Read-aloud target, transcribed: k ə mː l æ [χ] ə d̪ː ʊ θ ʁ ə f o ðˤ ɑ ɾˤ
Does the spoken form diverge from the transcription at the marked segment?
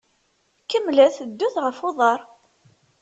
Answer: yes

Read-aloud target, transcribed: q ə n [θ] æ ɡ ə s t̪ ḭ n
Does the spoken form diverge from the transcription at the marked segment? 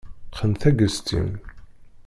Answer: no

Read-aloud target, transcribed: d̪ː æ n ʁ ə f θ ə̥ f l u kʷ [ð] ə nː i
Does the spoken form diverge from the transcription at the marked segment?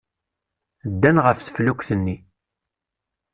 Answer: yes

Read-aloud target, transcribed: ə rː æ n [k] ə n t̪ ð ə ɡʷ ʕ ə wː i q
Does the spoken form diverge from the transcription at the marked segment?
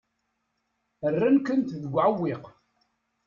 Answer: no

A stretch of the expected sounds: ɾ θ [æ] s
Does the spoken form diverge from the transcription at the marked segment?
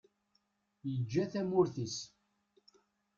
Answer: yes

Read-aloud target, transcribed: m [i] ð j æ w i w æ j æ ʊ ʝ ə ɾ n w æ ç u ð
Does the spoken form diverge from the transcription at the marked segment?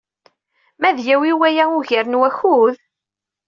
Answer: yes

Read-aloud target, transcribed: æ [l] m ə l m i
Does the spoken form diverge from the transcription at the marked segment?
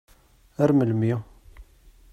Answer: yes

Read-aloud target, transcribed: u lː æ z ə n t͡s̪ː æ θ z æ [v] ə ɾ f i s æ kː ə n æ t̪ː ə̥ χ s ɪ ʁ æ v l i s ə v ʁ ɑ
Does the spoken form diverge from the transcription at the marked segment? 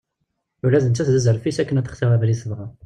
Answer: yes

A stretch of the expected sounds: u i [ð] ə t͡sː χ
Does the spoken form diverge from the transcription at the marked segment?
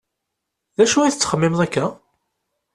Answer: yes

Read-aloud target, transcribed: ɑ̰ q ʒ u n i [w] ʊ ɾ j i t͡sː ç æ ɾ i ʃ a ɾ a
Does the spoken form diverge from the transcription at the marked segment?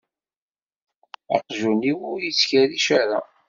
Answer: no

